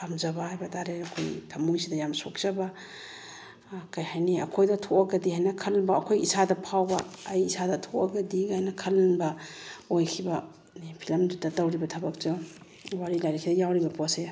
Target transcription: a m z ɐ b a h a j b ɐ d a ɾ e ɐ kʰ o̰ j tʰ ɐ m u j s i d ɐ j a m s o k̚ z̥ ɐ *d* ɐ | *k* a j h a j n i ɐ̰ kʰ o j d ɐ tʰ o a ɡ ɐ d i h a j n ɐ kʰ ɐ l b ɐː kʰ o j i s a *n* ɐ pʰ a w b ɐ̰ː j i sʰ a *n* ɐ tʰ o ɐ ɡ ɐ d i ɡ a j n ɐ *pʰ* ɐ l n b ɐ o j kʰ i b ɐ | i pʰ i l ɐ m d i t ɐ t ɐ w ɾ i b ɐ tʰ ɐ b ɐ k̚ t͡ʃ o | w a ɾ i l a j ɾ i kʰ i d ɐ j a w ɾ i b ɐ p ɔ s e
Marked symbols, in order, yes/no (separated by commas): no, yes, no, no, no